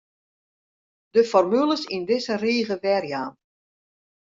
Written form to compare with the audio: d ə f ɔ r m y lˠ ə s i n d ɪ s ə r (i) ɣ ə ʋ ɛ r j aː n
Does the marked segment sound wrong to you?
yes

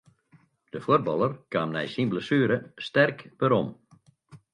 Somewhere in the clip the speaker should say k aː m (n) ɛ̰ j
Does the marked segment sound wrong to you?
no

